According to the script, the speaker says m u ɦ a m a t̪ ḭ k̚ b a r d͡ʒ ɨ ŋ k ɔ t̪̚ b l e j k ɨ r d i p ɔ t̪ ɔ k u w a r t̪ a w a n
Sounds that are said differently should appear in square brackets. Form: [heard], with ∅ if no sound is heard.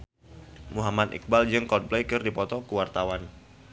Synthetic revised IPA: m u ɦ a m a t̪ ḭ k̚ b a [l] d͡ʒ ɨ ŋ k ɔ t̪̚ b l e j k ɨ r d i p ɔ t̪ ɔ k u w a r t̪ a w a n